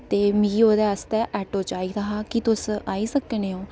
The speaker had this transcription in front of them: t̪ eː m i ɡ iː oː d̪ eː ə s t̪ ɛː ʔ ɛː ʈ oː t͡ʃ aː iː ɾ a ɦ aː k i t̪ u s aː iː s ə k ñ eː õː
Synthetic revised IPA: t̪ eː m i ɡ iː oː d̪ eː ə s t̪ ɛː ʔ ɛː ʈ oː t͡ʃ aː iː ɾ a ɦ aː k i t̪ ʊ s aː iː s ə k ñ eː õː